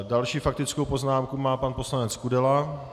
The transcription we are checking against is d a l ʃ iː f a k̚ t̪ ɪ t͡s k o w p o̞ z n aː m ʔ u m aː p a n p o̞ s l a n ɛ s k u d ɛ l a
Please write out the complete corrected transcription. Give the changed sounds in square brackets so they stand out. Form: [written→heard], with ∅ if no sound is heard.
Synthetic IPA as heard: d a l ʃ iː f a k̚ t̪ ɪ t͡s k o w p o̞ z n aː m [ʔ→k] u m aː p a n p o̞ s l a n ɛ [s→t͡s] k u d ɛ l a